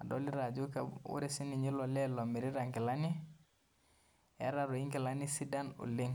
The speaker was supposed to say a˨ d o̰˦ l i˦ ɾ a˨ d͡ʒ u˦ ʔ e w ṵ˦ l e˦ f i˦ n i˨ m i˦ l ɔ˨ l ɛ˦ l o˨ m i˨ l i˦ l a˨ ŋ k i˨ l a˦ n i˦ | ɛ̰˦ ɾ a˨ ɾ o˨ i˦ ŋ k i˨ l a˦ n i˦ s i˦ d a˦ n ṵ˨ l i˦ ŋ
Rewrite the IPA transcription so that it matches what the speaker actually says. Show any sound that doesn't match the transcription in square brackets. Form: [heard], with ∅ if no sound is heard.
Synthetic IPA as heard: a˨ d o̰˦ l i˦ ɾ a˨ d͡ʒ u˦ [k] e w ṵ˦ [ɾ] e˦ [s] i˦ n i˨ [ɲ] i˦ l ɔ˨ l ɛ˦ l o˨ m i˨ [ɾ] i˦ [ɾ] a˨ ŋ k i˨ l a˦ n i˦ | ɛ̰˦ ɾ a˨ ɾ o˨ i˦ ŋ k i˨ l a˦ n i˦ s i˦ d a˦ n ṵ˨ l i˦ ŋ